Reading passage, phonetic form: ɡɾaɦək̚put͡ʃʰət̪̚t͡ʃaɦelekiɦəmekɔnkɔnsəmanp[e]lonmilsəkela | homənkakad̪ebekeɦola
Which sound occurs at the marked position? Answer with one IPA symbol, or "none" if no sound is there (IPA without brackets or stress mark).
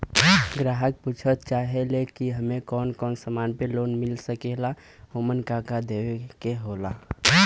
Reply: e